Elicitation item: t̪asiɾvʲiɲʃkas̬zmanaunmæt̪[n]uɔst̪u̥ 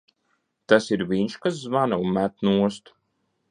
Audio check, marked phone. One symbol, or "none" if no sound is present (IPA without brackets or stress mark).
n